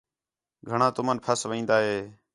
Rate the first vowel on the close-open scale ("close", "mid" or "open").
mid